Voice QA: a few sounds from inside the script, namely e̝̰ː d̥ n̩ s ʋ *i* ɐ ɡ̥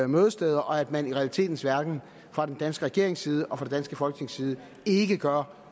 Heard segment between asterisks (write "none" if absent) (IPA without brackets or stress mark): æ